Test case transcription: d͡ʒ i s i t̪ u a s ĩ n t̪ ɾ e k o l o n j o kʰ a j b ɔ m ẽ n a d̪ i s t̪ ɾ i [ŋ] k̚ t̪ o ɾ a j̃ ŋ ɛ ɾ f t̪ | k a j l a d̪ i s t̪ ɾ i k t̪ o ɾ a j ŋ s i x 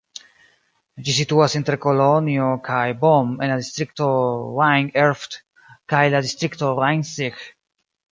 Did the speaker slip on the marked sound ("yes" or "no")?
yes